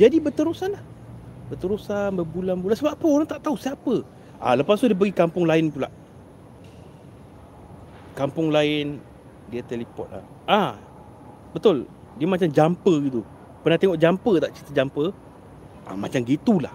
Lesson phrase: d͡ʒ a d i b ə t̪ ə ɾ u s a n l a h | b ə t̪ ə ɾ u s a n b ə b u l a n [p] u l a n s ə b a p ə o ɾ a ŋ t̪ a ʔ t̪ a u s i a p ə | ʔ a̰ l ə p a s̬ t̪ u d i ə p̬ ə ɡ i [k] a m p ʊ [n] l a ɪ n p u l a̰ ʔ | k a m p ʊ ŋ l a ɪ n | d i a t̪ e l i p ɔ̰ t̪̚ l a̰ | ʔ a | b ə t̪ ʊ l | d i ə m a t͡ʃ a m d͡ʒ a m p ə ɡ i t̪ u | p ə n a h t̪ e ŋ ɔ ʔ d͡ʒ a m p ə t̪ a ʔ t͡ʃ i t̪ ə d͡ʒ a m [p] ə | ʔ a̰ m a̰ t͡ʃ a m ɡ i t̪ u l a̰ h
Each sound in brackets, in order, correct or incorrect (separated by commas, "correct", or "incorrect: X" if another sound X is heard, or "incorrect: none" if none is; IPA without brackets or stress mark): incorrect: b, correct, incorrect: ŋ, correct